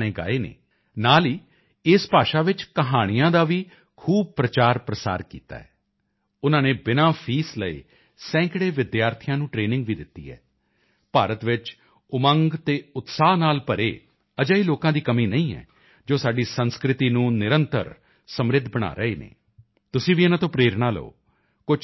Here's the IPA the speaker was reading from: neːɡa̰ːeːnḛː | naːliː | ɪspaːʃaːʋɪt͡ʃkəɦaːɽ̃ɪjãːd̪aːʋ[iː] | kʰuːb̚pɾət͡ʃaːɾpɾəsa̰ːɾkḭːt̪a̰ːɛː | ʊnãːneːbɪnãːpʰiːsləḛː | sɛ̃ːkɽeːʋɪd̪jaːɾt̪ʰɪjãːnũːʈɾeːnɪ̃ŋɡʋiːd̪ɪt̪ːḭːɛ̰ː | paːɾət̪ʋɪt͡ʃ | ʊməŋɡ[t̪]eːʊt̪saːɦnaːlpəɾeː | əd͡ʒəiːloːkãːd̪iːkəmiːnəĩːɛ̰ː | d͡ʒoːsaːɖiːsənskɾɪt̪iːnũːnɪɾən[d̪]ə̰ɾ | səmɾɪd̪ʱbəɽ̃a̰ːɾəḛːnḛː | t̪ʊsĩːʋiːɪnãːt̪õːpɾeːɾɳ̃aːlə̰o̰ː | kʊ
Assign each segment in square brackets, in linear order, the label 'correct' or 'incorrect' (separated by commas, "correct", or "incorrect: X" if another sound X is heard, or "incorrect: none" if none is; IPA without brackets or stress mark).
correct, correct, incorrect: t̪